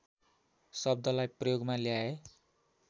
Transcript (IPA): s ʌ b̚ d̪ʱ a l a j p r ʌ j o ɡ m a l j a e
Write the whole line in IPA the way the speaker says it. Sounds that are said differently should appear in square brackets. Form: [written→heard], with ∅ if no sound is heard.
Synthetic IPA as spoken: s ʌ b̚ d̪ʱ [a→ʌ] l a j p r ʌ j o ɡ m a l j a e